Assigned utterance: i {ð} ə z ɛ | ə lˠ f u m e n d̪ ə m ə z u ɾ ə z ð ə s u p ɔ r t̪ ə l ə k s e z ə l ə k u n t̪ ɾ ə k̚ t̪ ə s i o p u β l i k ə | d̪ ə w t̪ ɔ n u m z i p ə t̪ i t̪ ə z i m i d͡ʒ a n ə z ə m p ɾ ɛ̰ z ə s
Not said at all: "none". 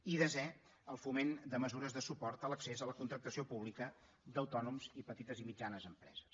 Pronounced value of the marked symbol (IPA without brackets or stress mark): ð